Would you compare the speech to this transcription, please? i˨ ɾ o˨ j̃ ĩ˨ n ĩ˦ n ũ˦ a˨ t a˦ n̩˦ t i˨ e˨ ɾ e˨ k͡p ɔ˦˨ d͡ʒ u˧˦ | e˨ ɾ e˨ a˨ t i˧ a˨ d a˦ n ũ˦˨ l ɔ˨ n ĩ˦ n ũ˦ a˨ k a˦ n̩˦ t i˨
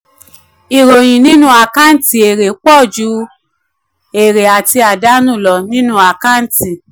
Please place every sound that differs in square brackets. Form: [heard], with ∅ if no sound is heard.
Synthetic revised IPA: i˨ ɾ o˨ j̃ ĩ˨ n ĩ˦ n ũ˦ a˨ [k] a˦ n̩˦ t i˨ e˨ ɾ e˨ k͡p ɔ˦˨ d͡ʒ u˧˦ | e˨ ɾ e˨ a˨ t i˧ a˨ d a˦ n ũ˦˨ l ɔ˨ n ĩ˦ n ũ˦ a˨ k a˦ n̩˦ t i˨